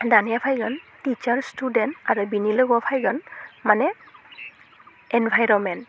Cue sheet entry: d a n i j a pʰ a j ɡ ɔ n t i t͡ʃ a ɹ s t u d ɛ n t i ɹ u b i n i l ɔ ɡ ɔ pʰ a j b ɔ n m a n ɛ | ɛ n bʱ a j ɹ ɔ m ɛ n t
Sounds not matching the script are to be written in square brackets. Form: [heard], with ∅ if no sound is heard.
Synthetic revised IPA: d a n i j a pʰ a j ɡ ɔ n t i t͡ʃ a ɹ s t u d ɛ n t [a] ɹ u b i n i l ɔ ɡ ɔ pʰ a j [ɡ] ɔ n m a n ɛ | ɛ n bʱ a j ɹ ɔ m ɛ n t